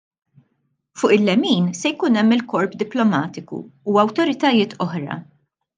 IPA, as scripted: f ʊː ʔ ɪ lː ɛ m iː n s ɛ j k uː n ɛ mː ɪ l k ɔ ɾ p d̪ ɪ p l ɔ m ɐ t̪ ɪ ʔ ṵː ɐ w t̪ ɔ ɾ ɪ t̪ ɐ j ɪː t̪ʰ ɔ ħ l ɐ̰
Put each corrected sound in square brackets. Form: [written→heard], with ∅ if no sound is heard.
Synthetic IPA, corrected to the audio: f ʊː ʔ ɪ lː ɛ m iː n s ɛ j k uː n ɛ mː ɪ l k ɔ ɾ p d̪ ɪ p l ɔ m [ɐ→ɐː] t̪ ɪ [ʔ→k] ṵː ɐ w t̪ ɔ ɾ ɪ t̪ ɐ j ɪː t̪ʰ ɔ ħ [l→ɾ] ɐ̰